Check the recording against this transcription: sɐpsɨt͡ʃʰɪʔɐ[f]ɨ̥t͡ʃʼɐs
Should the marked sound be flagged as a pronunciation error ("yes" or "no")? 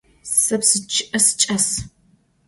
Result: yes